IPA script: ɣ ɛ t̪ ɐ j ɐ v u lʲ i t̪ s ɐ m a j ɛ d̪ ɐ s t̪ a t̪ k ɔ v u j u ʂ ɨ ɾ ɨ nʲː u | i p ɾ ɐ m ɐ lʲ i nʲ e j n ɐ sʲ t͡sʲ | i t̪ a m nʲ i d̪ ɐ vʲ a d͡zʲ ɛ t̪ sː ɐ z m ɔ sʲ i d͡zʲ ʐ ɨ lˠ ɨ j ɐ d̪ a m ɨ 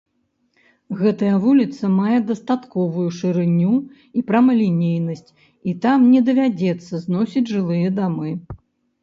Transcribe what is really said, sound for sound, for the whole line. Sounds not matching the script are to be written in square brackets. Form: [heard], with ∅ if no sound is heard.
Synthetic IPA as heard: ɣ ɛ t̪ ɐ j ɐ v u lʲ i t̪ s ɐ m a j ɛ d̪ ɐ s t̪ a t̪ k ɔ v u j u ʂ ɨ ɾ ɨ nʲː u | i p ɾ ɐ m ɐ lʲ i nʲ e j n ɐ sʲ t͡sʲ | i t̪ a m nʲ [ɛ] d̪ ɐ vʲ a d͡zʲ ɛ t̪ sː ɐ z [n] ɔ sʲ i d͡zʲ ʐ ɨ lˠ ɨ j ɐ d̪ a m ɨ